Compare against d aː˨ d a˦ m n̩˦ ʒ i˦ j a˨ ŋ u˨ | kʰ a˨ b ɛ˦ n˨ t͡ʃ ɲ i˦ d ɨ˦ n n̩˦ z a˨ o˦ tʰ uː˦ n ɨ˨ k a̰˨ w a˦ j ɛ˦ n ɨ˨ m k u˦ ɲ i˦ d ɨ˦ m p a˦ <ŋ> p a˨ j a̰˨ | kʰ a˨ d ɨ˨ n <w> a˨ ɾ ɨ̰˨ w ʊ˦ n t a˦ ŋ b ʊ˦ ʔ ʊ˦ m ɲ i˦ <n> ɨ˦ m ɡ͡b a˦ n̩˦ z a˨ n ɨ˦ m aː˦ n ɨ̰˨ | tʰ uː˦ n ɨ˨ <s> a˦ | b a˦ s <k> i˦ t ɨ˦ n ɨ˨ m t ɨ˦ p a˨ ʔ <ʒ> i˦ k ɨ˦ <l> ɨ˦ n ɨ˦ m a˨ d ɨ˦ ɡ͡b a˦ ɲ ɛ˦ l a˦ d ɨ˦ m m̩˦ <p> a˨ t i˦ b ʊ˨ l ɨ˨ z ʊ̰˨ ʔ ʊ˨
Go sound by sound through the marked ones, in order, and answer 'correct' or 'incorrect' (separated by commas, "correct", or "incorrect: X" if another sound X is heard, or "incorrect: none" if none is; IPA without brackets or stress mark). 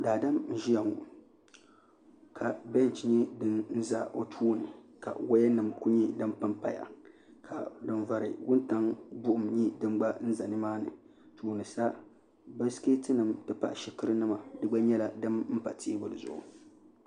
incorrect: m, incorrect: v, incorrect: d, correct, correct, incorrect: ʃ, incorrect: ɾ, correct